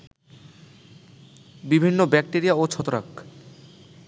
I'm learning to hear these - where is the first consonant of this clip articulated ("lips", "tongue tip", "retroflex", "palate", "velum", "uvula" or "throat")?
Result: lips